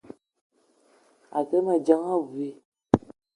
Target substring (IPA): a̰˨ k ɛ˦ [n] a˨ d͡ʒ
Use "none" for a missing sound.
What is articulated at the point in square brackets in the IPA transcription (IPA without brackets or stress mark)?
m